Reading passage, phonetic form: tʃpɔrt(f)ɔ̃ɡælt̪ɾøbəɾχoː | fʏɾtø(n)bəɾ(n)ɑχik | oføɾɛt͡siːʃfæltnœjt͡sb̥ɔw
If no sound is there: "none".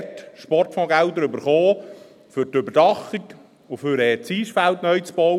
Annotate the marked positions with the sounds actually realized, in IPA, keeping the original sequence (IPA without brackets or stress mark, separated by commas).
f, none, d